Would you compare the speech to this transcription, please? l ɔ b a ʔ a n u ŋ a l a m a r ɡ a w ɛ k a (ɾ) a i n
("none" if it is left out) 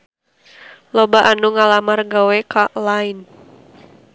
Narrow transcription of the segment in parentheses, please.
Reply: l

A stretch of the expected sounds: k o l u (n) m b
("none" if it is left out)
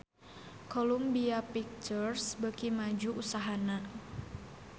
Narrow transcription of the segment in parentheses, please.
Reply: none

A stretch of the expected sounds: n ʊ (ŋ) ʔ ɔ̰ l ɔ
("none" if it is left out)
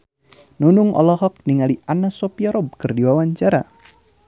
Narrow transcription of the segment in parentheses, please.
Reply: ŋ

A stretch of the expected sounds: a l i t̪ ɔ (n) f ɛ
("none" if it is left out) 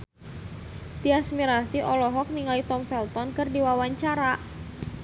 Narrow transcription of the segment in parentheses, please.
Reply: m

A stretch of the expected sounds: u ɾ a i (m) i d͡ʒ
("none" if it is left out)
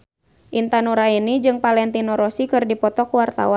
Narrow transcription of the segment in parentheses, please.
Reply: n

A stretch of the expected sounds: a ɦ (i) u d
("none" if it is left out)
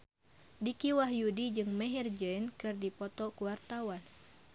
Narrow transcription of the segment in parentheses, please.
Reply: j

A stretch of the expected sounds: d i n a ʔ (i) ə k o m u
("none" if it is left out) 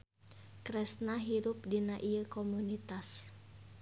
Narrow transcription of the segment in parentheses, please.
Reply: i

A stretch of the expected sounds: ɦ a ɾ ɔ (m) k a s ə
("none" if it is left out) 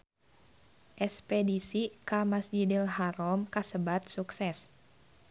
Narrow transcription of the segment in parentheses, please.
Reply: m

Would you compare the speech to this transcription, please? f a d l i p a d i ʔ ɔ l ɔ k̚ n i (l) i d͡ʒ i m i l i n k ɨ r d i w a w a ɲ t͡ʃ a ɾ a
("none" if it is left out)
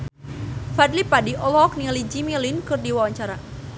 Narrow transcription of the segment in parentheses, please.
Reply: l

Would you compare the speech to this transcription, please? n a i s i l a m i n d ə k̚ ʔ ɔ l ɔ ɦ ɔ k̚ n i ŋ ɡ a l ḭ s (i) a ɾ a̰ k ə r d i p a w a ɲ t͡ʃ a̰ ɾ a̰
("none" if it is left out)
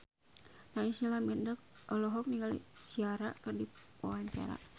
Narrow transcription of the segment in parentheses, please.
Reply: i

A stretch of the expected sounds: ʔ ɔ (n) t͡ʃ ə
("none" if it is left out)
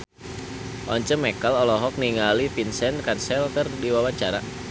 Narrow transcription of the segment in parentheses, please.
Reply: ɲ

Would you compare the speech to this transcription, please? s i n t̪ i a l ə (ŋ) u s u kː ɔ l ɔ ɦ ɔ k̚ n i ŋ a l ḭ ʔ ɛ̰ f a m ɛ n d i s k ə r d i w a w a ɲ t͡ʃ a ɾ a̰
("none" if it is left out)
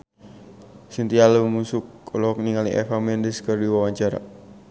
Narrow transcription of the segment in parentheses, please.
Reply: m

